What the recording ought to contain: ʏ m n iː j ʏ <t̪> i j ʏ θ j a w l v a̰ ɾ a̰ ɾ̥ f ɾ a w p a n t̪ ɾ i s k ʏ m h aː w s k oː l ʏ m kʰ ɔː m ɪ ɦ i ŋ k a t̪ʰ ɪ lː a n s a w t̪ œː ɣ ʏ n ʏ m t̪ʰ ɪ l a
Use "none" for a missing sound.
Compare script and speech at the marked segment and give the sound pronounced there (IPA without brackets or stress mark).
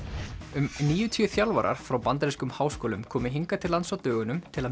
t̪ʰ